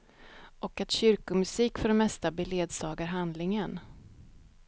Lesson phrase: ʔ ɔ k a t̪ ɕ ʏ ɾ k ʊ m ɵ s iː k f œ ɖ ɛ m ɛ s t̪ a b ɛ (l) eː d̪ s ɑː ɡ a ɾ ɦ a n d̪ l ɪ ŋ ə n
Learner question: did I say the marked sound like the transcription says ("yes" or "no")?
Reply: yes